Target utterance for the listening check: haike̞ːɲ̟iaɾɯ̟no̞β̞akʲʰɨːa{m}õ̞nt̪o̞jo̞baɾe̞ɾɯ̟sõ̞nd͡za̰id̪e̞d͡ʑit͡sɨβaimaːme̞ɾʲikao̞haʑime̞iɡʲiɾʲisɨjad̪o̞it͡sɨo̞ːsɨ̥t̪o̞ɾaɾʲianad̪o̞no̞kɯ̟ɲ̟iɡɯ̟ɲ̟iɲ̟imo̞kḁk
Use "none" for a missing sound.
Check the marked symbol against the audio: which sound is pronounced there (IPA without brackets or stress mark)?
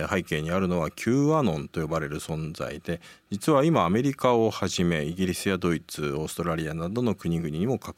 n